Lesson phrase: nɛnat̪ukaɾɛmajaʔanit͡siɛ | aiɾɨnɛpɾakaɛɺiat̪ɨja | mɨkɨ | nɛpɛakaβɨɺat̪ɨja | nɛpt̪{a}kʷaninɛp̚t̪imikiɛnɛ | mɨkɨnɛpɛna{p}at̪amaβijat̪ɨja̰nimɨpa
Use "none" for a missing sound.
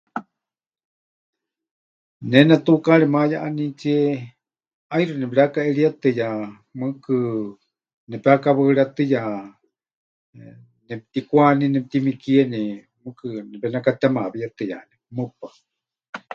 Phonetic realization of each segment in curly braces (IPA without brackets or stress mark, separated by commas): i, k